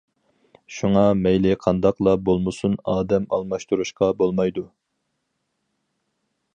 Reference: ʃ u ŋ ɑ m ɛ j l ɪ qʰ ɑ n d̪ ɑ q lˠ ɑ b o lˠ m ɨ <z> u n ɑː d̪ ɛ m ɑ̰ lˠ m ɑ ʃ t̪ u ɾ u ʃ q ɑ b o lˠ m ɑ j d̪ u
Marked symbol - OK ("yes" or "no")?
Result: no